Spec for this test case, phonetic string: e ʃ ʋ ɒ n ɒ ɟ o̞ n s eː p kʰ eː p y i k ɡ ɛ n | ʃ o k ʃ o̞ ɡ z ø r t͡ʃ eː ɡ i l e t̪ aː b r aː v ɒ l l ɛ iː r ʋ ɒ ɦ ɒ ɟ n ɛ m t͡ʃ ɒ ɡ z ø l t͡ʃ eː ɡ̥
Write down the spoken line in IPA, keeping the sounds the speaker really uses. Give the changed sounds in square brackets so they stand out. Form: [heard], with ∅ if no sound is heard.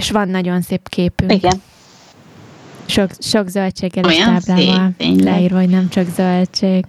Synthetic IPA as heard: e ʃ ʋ ɒ [nː] ɒ ɟ o̞ n s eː p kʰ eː p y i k ɡ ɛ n | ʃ o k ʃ o̞ ɡ z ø [l] t͡ʃ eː ɡ [ɛ] l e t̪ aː b [l] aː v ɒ l l ɛ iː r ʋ ɒ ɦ [o] ɟ n ɛ m t͡ʃ ɒ ɡ z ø l t͡ʃ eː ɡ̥